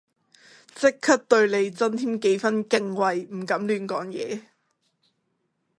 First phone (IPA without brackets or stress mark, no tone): t͡s